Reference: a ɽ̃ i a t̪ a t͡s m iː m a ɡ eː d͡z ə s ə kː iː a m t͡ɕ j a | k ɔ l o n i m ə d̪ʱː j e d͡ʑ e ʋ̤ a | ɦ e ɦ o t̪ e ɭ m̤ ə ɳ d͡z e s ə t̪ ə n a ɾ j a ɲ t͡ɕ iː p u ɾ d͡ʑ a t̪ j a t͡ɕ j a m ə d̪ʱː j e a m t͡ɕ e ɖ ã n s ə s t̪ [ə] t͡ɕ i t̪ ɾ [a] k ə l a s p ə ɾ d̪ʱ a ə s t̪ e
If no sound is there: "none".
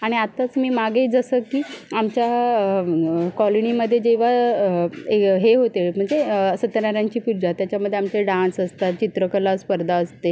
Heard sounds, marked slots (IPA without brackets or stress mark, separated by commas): a, ə